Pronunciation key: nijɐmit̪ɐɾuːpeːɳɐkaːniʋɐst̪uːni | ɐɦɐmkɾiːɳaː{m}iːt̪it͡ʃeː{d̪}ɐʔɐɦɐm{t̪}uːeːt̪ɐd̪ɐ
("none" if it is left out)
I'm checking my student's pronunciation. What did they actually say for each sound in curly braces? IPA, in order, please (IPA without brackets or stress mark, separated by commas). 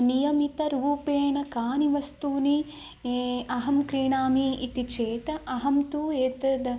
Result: m, t̪, t̪